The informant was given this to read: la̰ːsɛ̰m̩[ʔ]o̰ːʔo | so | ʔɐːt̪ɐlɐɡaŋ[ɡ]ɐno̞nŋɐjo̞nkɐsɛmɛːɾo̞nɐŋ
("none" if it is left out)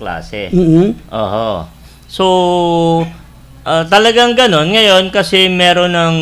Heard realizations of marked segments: ʔ, ɡ

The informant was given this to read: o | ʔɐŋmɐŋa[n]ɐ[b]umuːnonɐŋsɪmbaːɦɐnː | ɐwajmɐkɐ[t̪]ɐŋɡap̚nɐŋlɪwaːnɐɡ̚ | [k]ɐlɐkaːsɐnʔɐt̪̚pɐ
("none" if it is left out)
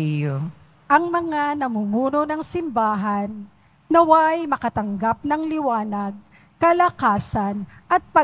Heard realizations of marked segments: n, m, t̪, k

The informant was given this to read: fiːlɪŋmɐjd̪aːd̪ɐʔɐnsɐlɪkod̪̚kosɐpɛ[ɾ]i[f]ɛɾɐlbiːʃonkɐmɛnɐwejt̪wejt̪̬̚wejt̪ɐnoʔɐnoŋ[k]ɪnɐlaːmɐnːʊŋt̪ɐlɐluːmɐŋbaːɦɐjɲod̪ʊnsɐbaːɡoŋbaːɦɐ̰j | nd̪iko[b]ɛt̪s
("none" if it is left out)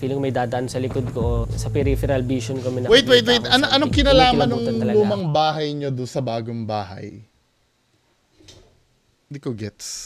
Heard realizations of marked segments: ɾ, f, k, ɡ

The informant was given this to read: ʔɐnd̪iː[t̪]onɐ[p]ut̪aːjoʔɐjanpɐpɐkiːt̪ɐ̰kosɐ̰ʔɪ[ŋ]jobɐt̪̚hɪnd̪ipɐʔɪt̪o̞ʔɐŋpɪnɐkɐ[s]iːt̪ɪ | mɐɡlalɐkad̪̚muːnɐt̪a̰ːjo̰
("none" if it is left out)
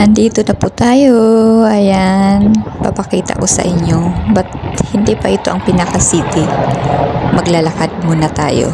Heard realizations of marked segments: t̪, p, ɲ, s

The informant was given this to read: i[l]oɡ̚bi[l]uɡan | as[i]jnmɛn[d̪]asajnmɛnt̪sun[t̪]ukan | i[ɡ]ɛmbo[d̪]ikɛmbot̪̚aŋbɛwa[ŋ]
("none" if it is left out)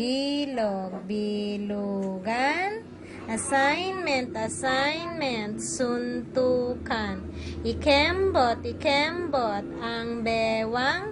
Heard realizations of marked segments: l, l, a, t̪, t̪, k, t̪, ŋ

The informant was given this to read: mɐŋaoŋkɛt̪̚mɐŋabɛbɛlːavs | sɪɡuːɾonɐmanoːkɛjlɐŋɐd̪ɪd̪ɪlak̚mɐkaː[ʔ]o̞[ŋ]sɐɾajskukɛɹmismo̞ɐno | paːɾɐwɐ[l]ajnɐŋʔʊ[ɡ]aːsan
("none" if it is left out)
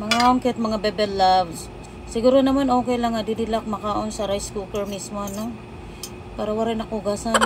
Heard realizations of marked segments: ʔ, n, ɾ, ɡ

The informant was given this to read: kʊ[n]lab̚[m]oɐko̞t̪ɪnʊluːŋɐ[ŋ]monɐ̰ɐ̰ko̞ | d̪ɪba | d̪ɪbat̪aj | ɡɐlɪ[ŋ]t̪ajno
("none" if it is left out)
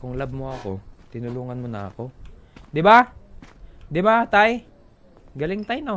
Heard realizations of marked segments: ŋ, m, n, ŋ

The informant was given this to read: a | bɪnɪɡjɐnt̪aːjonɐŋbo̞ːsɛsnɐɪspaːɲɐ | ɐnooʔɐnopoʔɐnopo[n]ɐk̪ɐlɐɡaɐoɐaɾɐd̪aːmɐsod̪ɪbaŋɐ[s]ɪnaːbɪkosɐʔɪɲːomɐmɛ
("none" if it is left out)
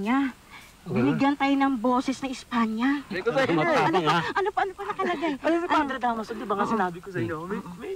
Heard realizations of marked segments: n, s

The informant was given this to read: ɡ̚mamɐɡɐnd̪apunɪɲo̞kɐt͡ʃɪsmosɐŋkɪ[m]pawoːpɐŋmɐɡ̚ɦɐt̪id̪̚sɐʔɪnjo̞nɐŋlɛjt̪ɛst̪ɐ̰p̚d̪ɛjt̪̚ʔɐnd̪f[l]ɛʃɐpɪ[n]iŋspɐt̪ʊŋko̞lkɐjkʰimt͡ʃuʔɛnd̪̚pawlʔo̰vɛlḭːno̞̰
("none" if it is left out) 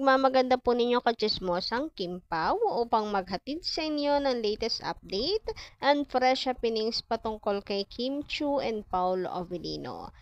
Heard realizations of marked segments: m, ɾ, n

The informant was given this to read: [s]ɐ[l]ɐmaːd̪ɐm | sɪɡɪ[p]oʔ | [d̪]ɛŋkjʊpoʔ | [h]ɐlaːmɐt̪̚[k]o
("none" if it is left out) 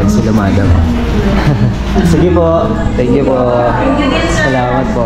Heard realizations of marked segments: s, l, p, t̪, s, p

